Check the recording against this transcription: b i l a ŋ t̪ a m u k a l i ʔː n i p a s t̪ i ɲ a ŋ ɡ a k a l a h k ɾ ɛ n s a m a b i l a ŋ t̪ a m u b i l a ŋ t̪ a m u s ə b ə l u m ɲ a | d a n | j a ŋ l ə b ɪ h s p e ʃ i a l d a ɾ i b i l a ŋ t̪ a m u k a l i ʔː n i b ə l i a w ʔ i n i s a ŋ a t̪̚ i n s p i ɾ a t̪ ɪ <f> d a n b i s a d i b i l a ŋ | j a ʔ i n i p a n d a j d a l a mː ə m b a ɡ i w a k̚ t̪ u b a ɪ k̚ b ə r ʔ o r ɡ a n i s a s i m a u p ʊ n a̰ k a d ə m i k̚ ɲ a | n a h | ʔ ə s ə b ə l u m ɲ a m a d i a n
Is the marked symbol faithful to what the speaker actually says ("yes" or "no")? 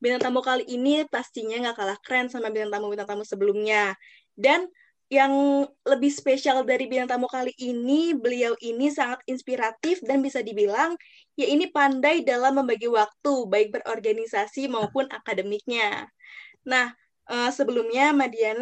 yes